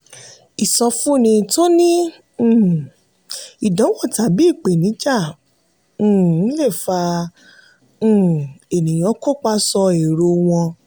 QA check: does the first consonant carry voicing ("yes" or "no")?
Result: no